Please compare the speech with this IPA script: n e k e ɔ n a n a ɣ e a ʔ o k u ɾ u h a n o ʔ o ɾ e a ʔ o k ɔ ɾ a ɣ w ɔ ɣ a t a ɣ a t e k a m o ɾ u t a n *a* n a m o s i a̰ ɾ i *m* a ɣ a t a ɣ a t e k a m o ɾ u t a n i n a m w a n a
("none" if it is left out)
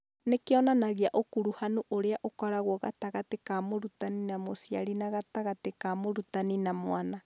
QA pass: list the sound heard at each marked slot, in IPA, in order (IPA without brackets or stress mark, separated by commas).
i, n